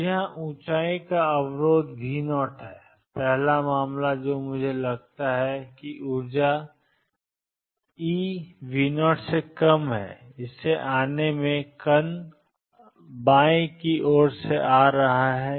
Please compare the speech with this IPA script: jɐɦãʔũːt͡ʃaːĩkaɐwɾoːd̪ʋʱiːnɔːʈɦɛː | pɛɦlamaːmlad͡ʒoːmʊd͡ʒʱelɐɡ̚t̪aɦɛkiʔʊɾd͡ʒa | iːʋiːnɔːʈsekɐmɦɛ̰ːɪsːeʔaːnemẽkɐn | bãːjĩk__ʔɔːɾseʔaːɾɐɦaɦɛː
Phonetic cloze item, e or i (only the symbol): i